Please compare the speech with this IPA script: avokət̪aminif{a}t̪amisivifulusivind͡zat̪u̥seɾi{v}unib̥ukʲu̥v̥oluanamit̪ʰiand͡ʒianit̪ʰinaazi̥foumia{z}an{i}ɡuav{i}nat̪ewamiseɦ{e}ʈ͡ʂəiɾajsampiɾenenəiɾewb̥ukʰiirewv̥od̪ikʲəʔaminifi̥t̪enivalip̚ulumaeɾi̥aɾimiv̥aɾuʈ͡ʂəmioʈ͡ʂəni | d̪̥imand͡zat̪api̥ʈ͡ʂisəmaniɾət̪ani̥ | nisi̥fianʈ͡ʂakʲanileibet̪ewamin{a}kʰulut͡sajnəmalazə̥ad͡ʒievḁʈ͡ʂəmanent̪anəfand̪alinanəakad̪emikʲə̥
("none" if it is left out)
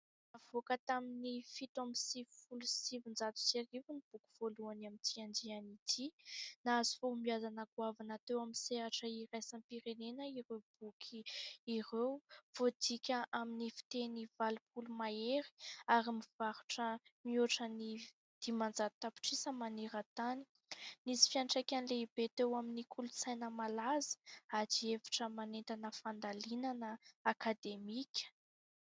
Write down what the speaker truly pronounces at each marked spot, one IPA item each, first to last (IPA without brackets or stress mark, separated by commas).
i, v, z, a, a, a, i